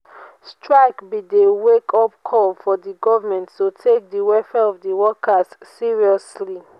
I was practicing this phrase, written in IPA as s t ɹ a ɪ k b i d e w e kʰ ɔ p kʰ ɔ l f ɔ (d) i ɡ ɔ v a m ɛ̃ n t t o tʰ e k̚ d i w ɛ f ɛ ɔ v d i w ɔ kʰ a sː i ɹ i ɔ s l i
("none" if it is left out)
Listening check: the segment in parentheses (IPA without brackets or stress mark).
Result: d